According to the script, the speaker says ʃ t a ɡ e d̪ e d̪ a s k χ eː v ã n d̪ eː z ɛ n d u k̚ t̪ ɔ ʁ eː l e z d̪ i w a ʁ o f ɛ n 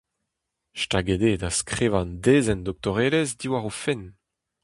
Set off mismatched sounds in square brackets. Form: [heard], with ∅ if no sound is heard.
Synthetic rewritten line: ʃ t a ɡ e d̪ e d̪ a s k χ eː v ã n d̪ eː z ɛ n d [ɔ] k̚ t̪ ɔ ʁ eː l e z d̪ i w a ʁ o f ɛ n

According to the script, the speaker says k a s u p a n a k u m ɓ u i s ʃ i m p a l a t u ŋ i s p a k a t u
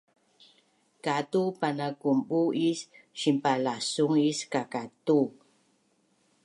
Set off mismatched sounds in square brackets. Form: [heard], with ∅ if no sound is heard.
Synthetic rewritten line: k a [t] u p a n a k u m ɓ u i s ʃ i m p a l a [s] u ŋ i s [k] a k a t u

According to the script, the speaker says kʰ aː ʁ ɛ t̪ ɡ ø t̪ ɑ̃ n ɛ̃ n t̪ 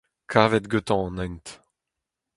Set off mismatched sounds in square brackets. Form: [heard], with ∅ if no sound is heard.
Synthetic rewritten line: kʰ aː [v] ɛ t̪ ɡ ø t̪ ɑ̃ n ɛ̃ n t̪

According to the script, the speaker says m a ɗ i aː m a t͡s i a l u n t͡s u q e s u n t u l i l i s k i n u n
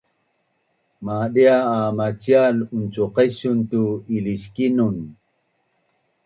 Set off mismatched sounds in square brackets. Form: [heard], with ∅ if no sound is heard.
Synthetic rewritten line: m a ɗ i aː m a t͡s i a l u n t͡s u q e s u n t u [∅] i l i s k i n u n

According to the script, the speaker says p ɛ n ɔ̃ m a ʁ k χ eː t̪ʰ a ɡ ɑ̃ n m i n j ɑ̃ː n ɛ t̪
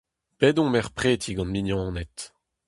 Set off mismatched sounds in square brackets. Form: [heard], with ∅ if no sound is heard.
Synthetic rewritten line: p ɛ [d] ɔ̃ m [ɛ] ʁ [p] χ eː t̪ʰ [i] ɡ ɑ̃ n m i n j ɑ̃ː n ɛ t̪

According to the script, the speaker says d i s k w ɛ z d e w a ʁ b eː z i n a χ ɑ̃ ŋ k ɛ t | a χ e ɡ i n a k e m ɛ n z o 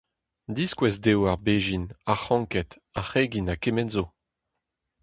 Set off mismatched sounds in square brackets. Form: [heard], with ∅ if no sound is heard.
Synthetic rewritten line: d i s k w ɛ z d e w a ʁ b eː [ʒ] i n a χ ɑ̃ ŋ k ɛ t | a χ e ɡ i n a k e m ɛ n z o

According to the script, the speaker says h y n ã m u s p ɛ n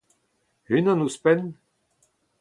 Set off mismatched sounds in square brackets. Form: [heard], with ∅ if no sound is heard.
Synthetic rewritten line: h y n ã [n] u s p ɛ n

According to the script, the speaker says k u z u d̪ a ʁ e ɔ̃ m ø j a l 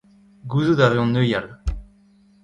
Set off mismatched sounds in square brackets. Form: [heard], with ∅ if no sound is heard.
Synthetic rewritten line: [ɡ] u z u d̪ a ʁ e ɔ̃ [n] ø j a l

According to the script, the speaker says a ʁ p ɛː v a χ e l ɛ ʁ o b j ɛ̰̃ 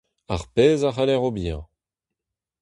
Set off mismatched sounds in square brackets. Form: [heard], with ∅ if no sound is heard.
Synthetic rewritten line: a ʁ p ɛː [z] a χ [a] l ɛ ʁ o b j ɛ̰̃

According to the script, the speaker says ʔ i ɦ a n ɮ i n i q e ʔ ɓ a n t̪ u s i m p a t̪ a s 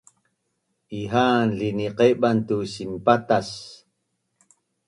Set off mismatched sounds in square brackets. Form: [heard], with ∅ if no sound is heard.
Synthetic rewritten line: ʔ i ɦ a n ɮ i n i q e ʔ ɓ a n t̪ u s i m p a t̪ a s

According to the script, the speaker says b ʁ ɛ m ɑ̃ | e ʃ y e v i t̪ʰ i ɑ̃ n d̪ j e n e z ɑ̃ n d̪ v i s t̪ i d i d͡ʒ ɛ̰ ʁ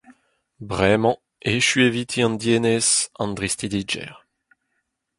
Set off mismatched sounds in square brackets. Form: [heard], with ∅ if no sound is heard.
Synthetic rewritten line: b ʁ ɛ m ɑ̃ | e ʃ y e v i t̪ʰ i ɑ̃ n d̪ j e n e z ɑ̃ n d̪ [ʁ] i s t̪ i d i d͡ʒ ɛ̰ ʁ

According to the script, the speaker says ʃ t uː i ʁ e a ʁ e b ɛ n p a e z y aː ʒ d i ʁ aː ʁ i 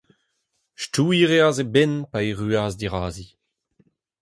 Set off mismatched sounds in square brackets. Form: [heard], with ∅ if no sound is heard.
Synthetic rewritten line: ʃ t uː i ʁ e a [z] e b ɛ n p a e [ʁ] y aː [z] d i ʁ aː [z] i

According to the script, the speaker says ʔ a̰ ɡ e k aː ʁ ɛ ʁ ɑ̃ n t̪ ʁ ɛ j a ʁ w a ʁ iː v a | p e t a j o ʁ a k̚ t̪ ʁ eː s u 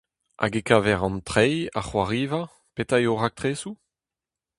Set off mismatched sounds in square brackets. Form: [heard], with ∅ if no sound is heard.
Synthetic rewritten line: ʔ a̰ ɡ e k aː [v] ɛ ʁ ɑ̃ n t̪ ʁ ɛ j a [χ] w a ʁ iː v a | p e t a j o ʁ a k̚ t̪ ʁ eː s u

